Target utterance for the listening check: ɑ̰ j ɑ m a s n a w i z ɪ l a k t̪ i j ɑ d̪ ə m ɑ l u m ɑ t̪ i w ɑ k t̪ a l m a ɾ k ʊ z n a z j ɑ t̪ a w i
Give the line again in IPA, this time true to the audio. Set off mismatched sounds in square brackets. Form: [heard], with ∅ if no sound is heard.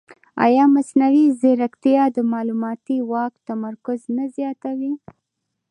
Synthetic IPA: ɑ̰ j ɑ m a s n a w i z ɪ [ɾ] a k t̪ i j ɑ d̪ ə m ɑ l u m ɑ t̪ i w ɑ k t̪ a [∅] m a ɾ k ʊ z n a z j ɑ t̪ a w i